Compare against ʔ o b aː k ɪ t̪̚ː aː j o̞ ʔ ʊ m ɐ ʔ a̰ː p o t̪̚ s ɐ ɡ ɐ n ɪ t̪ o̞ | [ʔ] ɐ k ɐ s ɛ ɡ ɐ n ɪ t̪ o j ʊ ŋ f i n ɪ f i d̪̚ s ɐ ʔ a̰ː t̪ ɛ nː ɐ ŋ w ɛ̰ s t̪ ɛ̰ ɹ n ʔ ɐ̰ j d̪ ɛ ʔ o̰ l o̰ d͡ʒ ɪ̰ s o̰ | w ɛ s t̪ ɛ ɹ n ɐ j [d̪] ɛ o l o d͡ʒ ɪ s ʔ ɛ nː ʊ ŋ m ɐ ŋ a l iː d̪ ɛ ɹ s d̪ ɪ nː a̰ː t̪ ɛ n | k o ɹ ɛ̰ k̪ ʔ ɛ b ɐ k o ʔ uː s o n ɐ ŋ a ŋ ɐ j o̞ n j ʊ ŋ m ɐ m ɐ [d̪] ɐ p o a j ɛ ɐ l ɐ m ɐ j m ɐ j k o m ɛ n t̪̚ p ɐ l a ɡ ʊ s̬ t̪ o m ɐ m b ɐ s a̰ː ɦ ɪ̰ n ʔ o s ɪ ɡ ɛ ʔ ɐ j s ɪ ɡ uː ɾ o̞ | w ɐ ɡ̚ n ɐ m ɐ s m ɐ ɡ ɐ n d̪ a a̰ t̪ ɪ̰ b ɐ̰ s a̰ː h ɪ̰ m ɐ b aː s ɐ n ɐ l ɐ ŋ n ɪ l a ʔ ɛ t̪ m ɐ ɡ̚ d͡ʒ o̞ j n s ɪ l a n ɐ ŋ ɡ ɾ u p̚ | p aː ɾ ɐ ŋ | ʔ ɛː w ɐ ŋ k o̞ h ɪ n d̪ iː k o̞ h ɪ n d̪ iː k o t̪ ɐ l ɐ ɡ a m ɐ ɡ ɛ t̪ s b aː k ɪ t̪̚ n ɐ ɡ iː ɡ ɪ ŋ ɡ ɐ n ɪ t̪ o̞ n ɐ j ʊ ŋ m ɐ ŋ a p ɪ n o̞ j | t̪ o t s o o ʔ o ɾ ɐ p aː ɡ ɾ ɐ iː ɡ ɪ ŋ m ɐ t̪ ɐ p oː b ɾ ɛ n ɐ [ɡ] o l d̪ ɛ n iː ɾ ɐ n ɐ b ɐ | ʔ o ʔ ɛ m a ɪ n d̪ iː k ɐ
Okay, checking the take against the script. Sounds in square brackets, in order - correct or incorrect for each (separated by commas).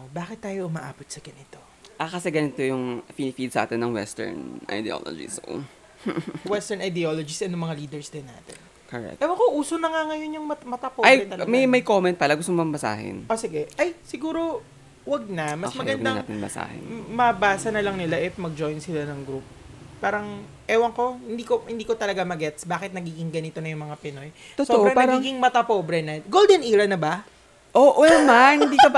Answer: correct, correct, incorrect, correct